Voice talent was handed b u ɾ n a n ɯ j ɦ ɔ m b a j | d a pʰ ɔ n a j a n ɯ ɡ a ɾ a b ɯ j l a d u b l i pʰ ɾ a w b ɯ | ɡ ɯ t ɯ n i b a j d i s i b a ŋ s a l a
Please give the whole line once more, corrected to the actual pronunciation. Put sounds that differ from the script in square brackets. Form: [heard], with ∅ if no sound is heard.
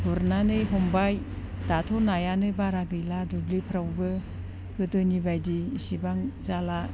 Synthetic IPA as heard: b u ɾ n a n ɯ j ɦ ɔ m b a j | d a [tʰ] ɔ n a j a n ɯ [b] a ɾ a [ɡ] ɯ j l a d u b l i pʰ ɾ a w b ɯ | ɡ ɯ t ɯ n i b a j d i s i b a ŋ [z] a l a